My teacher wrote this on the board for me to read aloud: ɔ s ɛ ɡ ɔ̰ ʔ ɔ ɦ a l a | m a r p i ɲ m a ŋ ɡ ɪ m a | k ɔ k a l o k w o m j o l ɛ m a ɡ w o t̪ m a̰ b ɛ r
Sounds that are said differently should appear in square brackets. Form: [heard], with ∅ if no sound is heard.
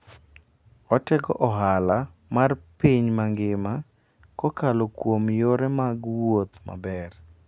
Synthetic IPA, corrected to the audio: ɔ [t] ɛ ɡ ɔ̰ ʔ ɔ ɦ a l a | m a r p i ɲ m a ŋ ɡ ɪ m a | k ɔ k a l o k w o m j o [ɾ] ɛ m a ɡ w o t̪ m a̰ b ɛ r